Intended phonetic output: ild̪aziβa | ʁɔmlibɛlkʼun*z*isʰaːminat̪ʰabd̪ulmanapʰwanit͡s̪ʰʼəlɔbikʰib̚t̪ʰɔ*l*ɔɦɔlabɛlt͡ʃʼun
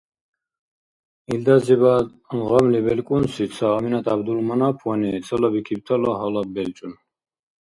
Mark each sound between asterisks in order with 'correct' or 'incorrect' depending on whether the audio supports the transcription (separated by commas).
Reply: incorrect, correct